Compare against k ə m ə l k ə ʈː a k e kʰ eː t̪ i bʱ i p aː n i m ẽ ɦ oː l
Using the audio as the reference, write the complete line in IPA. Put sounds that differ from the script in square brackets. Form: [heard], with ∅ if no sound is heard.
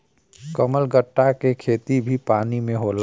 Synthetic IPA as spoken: k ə m ə l [ɡ] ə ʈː a k e kʰ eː t̪ i bʱ i p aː n i m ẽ ɦ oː l